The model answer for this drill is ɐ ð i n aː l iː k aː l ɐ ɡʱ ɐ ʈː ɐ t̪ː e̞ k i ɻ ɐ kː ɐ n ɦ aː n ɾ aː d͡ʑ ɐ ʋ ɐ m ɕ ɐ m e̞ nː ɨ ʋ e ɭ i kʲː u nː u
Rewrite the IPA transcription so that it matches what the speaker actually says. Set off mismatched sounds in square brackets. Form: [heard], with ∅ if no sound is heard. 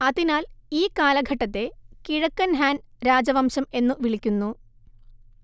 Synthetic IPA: ɐ ð i n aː l iː k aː l ɐ ɡʱ ɐ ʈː ɐ t̪ː e̞ k i ɻ ɐ kː ɐ n ɦ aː n ɾ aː d͡ʑ ɐ ʋ ɐ m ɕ ɐ m e̞ nː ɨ ʋ [i] ɭ i kʲː u nː u